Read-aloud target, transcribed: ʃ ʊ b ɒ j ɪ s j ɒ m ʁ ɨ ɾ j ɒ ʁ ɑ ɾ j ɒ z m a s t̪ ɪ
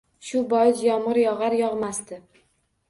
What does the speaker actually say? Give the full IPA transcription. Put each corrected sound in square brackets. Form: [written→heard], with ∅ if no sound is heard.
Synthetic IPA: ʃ ʊ b ɒ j ɪ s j ɒ m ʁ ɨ ɾ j ɒ ʁ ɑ ɾ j ɒ [z→ʁ] m a s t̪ ɪ

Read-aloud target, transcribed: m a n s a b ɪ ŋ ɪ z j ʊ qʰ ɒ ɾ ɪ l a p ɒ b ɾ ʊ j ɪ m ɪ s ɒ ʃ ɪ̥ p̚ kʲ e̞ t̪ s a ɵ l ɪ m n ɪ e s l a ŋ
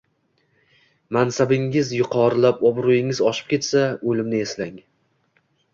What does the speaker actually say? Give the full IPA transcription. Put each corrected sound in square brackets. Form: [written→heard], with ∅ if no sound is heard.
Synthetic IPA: m a n s a b ɪ ŋ ɪ z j ʊ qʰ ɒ ɾ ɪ l a p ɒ b ɾ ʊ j ɪ [m→ŋ] ɪ [s→z] ɒ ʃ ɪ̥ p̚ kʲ e̞ t̪ s a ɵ l ɪ m n ɪ e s l a ŋ

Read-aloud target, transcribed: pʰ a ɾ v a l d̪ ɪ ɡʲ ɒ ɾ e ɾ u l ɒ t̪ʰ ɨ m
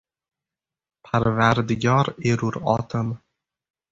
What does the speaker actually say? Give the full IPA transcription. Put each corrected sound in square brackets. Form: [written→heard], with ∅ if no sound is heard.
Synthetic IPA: pʰ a ɾ v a [l→ɾ] d̪ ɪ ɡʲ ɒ ɾ e ɾ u [l→ɾ] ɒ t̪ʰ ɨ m

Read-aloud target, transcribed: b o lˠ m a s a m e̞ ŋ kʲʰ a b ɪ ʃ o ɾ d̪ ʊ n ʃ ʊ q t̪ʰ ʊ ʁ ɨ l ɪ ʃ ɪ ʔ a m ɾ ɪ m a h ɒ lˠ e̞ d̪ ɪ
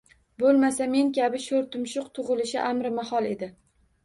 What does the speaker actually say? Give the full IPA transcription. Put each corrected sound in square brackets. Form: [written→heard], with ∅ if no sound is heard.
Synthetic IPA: b o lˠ m a s a m e̞ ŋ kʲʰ a b ɪ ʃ o ɾ [d̪→t̪] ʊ [n→m] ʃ ʊ q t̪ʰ ʊ ʁ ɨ l ɪ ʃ ɪ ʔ a m ɾ ɪ m a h ɒ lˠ e̞ d̪ ɪ

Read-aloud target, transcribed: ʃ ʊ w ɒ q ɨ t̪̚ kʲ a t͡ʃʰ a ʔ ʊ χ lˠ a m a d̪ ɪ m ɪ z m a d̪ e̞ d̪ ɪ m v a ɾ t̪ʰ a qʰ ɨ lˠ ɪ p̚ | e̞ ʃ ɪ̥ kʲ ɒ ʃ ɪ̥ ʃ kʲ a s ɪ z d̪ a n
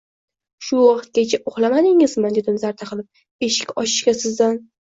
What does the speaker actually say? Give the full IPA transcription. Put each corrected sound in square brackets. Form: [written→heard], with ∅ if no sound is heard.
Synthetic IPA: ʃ ʊ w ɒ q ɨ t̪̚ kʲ a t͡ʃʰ a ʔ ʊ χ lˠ a m a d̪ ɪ [m→ŋ] ɪ z m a d̪ e̞ d̪ ɪ m [v→z] a ɾ t̪ʰ a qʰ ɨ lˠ ɪ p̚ | e̞ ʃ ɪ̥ kʲ ɒ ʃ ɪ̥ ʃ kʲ a s ɪ z d̪ a n

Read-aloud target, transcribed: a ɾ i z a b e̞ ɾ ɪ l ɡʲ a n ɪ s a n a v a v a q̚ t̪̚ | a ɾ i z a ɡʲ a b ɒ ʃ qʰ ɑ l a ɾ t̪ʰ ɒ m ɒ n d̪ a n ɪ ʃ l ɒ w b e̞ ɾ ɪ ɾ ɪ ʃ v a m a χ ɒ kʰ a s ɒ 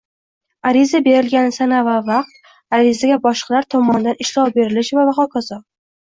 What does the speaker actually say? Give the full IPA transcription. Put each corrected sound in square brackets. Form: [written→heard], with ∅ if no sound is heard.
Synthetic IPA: a ɾ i z a b e̞ ɾ ɪ l ɡʲ a n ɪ s a n a v a v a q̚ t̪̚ | a ɾ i z a ɡʲ a b ɒ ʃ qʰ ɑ l a ɾ t̪ʰ ɒ m ɒ n d̪ a n ɪ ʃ l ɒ w b e̞ ɾ ɪ [ɾ→l] ɪ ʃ v a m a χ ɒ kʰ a [s→z] ɒ

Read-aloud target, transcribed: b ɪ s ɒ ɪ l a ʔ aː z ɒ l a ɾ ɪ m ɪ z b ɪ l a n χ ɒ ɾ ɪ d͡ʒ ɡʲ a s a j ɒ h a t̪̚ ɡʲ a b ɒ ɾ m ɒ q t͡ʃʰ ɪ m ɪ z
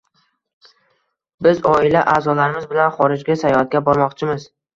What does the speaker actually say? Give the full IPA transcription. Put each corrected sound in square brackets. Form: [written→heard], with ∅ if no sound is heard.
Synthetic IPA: b ɪ [s→z] ɒ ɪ l a ʔ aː z ɒ l a ɾ ɪ m ɪ z b ɪ l a n χ ɒ ɾ ɪ d͡ʒ ɡʲ a s a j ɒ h a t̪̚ ɡʲ a b ɒ ɾ m ɒ q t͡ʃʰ ɪ m ɪ z

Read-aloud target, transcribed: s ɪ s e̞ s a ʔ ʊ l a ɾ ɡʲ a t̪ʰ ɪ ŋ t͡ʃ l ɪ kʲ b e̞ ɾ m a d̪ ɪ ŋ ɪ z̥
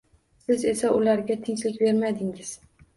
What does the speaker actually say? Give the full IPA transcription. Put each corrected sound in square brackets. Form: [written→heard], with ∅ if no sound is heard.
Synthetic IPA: s ɪ [s→z] e̞ s a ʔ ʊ l a ɾ ɡʲ a t̪ʰ ɪ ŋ t͡ʃ l ɪ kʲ b e̞ ɾ m a d̪ ɪ ŋ ɪ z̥

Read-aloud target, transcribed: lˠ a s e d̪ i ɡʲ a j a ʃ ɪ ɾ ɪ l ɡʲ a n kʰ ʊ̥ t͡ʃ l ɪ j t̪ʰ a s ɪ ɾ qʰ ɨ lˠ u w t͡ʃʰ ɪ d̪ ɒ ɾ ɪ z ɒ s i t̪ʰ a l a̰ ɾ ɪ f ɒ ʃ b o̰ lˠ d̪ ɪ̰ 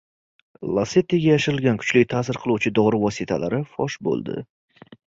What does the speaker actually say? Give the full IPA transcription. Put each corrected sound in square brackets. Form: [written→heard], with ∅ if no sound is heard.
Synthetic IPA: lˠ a s e [d̪→t̪] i ɡʲ a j a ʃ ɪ ɾ ɪ l ɡʲ a n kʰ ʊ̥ t͡ʃ l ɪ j t̪ʰ a s ɪ ɾ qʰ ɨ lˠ u w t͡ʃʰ ɪ d̪ ɒ ɾ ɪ [z→v] ɒ s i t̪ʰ a l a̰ ɾ ɪ f ɒ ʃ b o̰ lˠ d̪ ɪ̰

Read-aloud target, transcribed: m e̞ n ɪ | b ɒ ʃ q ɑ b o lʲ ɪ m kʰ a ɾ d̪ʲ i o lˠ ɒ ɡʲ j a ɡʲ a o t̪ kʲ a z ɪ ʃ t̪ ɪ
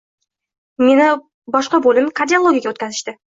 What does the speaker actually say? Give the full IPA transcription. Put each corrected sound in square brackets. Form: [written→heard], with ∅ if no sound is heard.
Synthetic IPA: m e̞ n ɪ | b ɒ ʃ q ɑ b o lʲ ɪ m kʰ a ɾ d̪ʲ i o lˠ [ɒ→o] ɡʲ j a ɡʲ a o t̪ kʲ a z ɪ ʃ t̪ ɪ

